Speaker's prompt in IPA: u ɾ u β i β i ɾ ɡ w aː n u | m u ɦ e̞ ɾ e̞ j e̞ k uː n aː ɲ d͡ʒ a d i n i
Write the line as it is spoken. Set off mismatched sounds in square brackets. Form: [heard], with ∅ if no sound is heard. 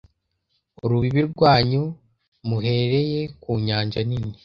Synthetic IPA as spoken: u ɾ u β i β i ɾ ɡ w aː [ɲ] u | m u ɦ e̞ ɾ e̞ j e̞ k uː [ɲ] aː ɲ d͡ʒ a [n] i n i